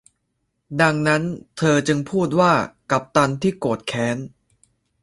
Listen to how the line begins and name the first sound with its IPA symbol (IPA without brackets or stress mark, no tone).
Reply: d